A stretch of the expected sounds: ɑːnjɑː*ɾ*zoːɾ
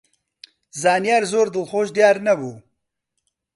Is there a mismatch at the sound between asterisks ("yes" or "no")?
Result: no